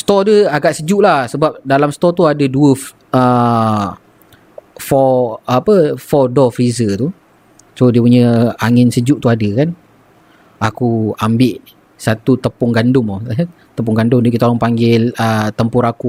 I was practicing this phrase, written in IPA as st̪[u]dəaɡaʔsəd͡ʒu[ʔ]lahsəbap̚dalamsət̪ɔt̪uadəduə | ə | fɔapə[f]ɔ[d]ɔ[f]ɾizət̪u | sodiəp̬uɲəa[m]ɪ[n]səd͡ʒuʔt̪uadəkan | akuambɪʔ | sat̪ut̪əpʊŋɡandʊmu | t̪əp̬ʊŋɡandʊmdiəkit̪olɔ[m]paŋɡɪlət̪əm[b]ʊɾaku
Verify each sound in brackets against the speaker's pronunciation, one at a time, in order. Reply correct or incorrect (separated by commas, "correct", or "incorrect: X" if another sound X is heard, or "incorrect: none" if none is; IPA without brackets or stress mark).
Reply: incorrect: ɔ, correct, correct, correct, correct, incorrect: ŋ, correct, incorrect: ŋ, incorrect: p